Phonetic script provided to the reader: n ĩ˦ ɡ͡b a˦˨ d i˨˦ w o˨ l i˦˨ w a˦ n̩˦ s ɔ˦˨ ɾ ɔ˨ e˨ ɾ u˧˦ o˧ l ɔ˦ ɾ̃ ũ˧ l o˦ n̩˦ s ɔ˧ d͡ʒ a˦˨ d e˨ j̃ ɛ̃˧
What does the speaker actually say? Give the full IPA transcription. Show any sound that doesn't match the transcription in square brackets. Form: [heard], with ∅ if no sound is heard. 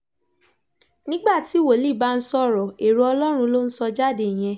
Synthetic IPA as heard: n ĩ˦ ɡ͡b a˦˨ [t] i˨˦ w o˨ l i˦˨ [b] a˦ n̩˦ s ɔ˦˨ ɾ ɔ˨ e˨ ɾ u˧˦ [ɔ˧] l ɔ˦ ɾ̃ ũ˧ l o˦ n̩˦ s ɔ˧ d͡ʒ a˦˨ d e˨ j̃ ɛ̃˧